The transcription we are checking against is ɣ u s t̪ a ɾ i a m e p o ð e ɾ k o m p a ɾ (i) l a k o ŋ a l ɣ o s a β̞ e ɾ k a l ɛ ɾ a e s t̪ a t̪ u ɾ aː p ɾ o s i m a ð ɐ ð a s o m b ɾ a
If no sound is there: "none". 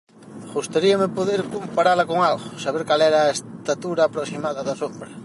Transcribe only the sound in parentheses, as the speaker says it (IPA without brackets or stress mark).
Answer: a